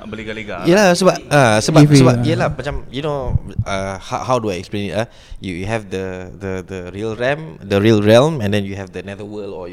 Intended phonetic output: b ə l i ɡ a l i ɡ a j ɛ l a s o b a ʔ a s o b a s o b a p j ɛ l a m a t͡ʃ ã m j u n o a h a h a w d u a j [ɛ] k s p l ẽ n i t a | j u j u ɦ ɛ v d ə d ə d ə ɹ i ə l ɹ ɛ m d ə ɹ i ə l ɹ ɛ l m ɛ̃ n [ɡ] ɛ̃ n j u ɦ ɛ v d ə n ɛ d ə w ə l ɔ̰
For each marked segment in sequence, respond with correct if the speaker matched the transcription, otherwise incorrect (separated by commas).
correct, incorrect